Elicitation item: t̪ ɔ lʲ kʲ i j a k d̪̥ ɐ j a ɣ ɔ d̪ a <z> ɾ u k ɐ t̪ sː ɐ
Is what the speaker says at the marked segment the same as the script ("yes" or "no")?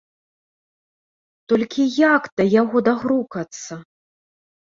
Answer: no